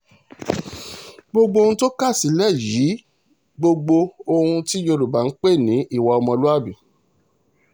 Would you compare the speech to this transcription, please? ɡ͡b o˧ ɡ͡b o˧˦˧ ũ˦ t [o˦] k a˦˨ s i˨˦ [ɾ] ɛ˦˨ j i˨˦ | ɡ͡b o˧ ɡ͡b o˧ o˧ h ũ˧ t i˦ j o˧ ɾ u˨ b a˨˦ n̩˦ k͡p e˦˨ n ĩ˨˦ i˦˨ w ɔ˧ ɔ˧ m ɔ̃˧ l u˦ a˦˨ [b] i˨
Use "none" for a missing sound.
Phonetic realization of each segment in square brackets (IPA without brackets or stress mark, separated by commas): o˦, l, b